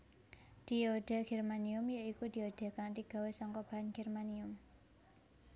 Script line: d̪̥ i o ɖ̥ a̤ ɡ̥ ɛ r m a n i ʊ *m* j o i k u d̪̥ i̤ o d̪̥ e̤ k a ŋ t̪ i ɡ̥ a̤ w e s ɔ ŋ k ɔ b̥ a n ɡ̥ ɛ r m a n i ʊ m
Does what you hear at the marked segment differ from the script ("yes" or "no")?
no